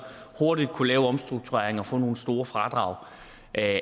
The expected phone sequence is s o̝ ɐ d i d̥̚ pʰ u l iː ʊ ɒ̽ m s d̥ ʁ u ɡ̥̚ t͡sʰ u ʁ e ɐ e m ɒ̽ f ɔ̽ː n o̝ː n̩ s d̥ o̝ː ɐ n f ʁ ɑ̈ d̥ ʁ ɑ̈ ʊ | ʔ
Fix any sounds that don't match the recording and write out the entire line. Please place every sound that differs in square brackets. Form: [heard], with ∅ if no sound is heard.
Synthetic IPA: [h] o̝ ɐ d i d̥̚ [kʰ] u l [ɛː] ʊ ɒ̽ m s d̥ ʁ u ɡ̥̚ t͡sʰ u ʁ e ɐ e [ŋ] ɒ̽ f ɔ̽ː n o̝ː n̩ s d̥ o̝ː ɐ [∅] f ʁ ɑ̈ d̥ ʁ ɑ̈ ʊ | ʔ